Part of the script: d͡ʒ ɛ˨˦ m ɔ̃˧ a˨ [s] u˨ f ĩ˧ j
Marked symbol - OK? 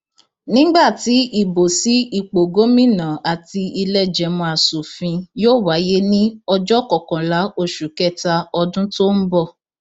yes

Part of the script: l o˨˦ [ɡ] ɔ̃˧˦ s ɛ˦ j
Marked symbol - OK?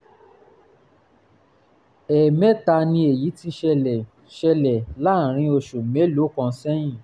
no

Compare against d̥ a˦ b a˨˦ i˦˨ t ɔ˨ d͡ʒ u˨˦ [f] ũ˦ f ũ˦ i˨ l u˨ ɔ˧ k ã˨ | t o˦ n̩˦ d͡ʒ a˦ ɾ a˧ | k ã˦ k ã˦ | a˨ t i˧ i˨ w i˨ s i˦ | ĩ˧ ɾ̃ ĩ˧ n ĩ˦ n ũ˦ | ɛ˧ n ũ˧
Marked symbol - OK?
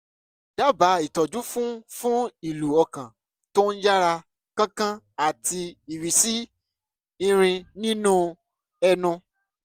yes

